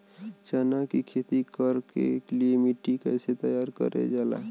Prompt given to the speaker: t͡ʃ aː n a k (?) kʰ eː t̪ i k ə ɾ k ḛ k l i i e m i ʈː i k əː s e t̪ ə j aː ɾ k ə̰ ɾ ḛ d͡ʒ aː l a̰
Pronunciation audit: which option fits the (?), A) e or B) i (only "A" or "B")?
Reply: B